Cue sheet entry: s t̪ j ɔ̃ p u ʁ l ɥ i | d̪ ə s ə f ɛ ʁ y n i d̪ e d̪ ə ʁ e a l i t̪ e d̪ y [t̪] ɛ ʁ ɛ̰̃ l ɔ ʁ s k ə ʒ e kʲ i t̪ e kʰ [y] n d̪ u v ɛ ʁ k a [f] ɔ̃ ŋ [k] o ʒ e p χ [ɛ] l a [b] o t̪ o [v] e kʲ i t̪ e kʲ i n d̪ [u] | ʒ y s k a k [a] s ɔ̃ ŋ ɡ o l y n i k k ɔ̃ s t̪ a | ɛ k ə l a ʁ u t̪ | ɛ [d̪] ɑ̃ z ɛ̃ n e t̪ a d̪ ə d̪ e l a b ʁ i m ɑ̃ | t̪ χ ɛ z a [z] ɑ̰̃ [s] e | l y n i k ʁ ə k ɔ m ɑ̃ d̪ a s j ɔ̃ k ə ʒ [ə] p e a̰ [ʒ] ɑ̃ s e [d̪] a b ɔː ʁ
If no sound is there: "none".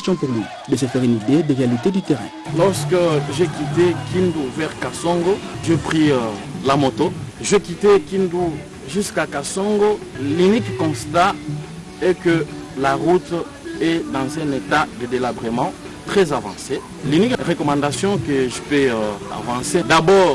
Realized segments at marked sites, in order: t̪, i, s, ɡ, i, m, ʒ, u, a, d̪, v, s, ə, v, d̪

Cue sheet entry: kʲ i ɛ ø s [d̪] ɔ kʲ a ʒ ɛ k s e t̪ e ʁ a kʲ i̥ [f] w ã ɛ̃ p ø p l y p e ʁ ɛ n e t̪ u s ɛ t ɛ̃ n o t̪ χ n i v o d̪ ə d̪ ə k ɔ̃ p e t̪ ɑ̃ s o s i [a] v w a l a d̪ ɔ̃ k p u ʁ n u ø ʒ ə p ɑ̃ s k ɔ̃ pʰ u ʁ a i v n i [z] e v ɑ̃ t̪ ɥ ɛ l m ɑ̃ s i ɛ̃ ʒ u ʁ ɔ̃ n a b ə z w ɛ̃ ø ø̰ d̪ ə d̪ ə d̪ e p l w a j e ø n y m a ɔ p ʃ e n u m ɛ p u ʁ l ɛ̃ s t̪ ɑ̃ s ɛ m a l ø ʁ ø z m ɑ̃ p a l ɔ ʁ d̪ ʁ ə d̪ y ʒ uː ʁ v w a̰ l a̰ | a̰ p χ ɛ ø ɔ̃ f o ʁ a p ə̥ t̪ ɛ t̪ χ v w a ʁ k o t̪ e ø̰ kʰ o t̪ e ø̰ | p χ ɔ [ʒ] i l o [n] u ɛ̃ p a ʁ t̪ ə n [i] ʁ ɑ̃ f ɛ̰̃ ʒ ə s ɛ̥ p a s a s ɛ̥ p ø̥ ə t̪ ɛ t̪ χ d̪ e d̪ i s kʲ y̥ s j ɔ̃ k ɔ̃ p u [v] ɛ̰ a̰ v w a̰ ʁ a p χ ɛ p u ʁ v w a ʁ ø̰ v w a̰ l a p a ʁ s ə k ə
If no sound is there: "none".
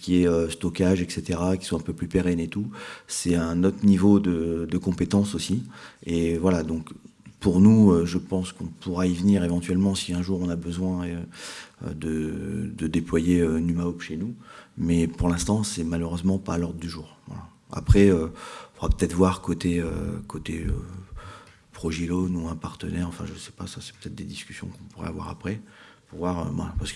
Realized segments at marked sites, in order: t̪, s, e, ʁ, ʒ, n, ɛ, ʁ

